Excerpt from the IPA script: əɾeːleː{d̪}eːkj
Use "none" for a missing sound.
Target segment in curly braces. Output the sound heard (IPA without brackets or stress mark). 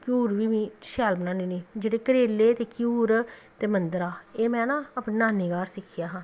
t̪